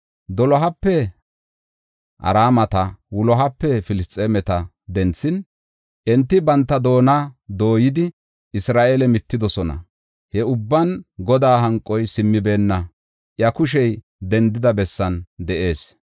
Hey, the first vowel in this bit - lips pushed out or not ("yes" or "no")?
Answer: yes